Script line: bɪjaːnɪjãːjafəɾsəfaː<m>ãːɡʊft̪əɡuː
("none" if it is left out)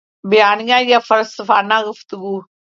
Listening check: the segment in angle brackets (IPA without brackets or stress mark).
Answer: n